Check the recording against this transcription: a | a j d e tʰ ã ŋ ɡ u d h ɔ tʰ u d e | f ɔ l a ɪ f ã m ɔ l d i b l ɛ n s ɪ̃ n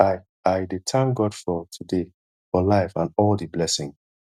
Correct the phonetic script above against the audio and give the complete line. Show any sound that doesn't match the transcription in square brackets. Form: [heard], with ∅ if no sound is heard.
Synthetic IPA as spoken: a | a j d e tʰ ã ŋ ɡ [ɔ] d [f] ɔ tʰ u d e | f ɔ l a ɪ f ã [n] ɔ l d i b l ɛ [∅] s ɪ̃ [ŋ]